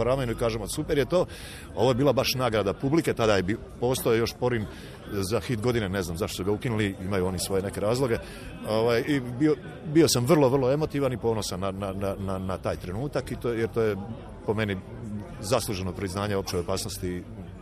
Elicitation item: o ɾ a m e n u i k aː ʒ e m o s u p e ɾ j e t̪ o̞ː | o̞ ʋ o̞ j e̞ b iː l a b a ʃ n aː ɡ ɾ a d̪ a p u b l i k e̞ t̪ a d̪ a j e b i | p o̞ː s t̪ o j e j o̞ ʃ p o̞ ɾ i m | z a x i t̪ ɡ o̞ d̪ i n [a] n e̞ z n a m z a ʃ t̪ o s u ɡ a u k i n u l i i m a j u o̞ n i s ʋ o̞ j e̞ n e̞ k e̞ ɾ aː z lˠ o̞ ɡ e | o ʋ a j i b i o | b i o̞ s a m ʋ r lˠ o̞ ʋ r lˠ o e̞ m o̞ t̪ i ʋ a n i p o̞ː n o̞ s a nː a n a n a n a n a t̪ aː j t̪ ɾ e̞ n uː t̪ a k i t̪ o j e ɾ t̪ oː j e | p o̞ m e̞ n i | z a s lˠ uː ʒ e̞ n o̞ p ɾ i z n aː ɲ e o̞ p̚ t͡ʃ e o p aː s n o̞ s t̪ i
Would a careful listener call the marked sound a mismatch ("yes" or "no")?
yes